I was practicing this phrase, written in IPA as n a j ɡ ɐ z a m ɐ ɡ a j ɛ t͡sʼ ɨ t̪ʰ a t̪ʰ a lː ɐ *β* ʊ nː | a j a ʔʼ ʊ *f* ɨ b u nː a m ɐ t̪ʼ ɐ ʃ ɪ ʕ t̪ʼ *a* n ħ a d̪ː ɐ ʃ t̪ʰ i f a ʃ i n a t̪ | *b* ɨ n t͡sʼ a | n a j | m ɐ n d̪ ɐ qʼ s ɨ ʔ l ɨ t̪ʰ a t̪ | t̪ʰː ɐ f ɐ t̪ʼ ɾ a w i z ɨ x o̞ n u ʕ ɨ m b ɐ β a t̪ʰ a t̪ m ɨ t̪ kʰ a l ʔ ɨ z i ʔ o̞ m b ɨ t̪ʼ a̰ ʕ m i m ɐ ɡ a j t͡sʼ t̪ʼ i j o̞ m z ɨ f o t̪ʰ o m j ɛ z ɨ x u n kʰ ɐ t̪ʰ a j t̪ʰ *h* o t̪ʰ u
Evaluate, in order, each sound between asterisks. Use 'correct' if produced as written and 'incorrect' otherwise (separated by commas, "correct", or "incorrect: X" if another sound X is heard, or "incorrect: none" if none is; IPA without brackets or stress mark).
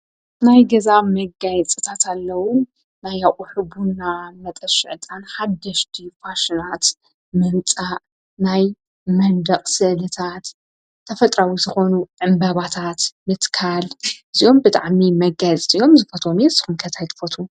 incorrect: w, incorrect: ħ, correct, incorrect: m, incorrect: f